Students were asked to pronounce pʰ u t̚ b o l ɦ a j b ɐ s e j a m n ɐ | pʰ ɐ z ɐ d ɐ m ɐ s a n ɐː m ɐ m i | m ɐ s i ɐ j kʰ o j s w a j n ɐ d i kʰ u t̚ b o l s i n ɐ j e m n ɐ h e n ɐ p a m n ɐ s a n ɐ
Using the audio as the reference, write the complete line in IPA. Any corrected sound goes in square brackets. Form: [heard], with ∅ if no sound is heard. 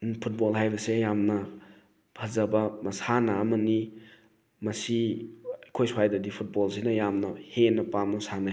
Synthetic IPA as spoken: pʰ u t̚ b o l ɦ a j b ɐ s e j a m n ɐ | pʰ ɐ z ɐ [b] ɐ m ɐ s a n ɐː m ɐ [n] i | m ɐ s i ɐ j kʰ o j s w a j [d] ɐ d i [pʰ] u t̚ b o l s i n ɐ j [a] m n ɐ h e n ɐ p a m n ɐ s a n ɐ